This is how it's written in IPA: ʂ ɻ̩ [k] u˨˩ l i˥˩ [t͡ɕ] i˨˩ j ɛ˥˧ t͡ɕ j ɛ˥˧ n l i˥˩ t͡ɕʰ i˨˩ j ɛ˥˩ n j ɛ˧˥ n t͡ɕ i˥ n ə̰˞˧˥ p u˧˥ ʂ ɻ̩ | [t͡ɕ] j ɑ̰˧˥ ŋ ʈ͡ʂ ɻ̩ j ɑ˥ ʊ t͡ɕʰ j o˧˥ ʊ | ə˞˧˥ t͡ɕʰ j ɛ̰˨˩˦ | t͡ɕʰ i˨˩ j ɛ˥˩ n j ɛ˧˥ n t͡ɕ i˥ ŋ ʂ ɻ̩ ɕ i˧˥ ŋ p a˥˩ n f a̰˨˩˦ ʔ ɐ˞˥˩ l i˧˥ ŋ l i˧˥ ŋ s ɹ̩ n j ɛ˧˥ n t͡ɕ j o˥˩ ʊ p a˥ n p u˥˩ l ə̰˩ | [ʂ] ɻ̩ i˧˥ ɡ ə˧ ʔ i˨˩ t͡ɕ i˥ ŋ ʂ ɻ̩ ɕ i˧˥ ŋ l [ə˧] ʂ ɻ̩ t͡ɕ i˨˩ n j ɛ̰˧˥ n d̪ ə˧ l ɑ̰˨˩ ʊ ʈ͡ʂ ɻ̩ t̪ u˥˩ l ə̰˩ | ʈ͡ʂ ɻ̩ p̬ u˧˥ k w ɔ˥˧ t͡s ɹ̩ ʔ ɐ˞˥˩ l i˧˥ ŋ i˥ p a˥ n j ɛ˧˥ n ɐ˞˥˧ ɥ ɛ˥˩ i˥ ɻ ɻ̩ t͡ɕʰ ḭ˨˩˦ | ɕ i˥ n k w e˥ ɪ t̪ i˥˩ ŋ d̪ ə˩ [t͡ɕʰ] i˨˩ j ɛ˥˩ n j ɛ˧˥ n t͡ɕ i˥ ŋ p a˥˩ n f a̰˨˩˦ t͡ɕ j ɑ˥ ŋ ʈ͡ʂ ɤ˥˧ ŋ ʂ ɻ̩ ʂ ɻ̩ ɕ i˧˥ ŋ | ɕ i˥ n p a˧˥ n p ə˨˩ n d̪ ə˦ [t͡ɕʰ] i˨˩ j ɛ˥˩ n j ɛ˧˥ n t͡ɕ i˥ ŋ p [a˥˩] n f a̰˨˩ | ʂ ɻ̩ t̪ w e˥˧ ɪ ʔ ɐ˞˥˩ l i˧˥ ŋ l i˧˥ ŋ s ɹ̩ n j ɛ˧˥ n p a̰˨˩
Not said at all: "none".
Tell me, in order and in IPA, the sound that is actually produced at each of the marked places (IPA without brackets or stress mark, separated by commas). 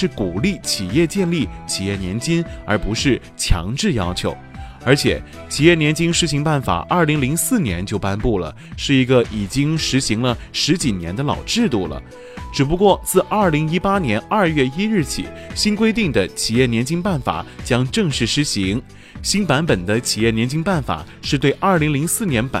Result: k, t͡ɕʰ, t͡ɕʰ, ʂ, ə˧, t͡ɕʰ, t͡ɕʰ, a˥˩